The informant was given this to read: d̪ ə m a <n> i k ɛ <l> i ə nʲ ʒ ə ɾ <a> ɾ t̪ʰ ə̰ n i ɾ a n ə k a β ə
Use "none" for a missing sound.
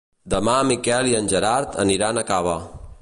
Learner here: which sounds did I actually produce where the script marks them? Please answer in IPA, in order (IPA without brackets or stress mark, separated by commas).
m, l, a